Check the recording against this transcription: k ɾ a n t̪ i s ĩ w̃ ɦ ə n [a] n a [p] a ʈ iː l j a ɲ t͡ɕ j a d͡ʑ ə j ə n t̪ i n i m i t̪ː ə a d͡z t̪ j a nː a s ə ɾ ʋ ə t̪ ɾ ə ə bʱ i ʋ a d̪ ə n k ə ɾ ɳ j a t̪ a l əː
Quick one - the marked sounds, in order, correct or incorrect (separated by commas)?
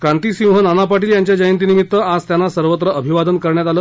correct, correct